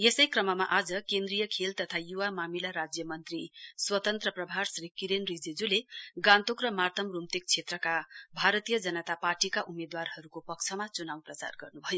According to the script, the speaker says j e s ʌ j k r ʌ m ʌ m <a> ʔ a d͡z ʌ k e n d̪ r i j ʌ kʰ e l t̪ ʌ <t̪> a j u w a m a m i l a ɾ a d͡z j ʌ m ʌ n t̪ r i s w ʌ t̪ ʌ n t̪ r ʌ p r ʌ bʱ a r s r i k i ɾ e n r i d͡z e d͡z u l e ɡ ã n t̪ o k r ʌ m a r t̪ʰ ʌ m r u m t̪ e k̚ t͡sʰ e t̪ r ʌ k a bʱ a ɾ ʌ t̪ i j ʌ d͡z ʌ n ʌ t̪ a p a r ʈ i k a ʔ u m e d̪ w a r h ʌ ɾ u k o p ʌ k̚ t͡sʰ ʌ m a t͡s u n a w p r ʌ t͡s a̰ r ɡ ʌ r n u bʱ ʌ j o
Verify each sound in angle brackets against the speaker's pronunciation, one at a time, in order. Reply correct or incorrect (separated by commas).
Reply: correct, incorrect